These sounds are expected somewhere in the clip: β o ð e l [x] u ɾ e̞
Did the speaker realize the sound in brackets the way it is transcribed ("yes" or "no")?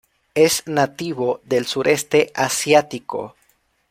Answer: no